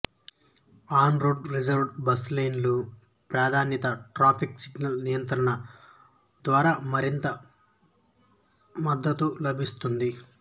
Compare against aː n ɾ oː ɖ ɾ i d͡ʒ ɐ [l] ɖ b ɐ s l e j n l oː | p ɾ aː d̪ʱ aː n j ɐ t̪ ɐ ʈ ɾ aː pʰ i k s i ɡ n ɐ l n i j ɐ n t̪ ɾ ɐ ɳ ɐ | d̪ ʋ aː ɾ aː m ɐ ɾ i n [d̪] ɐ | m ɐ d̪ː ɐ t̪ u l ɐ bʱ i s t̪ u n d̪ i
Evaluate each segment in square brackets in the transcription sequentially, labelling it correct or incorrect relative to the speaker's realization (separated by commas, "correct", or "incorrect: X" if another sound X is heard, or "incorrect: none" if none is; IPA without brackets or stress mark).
incorrect: ɾ, incorrect: t̪